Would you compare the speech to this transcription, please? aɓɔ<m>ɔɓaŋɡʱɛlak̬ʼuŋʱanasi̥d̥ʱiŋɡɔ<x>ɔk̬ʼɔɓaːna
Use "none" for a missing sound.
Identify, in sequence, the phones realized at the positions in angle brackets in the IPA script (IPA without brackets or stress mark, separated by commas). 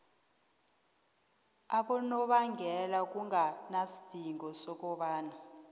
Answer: n, s